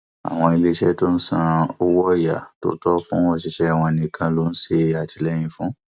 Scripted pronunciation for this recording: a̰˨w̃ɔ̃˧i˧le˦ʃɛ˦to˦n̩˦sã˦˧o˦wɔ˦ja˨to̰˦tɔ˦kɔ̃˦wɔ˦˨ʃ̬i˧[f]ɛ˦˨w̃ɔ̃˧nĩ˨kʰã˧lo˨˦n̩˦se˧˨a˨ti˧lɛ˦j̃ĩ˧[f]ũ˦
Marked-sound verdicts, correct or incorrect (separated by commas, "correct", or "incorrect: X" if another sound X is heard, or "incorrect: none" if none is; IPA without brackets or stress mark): incorrect: ʃ, correct